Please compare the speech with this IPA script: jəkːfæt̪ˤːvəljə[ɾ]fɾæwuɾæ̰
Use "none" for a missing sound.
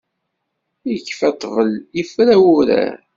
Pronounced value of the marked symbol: none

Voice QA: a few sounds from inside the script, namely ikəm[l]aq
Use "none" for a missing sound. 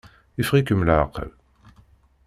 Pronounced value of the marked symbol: l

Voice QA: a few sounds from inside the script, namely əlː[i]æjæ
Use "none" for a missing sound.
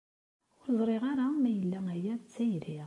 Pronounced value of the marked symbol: æ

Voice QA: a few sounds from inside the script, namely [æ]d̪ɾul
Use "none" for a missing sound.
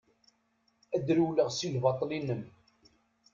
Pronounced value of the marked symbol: æ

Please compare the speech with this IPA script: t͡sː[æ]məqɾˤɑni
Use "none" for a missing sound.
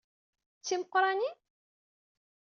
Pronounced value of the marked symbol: i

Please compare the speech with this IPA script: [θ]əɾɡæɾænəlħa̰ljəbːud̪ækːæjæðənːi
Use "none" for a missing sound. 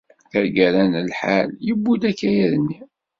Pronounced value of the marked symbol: θ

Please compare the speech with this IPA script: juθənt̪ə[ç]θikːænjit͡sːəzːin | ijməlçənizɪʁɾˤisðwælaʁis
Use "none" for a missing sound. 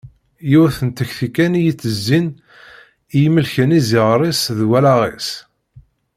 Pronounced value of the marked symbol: ç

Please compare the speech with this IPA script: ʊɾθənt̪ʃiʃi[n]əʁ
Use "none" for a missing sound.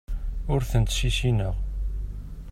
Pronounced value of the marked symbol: n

